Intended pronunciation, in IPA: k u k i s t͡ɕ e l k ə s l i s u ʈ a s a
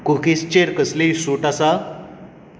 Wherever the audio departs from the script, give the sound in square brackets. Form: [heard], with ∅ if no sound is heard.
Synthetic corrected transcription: k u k i s t͡ɕ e [ɾ] k ə s l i s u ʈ a s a